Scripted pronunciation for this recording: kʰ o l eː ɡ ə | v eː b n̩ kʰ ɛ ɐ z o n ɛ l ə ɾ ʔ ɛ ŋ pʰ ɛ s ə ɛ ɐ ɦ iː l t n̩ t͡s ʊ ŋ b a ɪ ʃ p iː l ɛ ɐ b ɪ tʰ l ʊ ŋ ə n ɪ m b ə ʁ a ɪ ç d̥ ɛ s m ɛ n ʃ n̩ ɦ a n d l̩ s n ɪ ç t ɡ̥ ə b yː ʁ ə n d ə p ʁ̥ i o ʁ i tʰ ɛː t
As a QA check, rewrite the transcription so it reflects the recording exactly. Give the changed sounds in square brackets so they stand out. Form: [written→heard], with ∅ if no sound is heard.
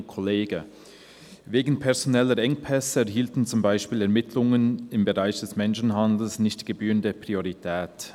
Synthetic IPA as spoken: kʰ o l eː ɡ ə | v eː [b→ɡ] n̩ [kʰ→pʰ] ɛ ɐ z o n ɛ l ə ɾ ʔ ɛ ŋ pʰ ɛ s ə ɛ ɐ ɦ iː l t n̩ t͡s ʊ [ŋ→m] b a ɪ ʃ p iː l ɛ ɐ [b→m] ɪ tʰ l ʊ ŋ ə n ɪ m b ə ʁ a ɪ ç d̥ ɛ s m ɛ n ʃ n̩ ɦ a n d l̩ s n ɪ ç t ɡ̥ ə b yː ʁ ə n d ə p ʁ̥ i o ʁ i tʰ ɛː t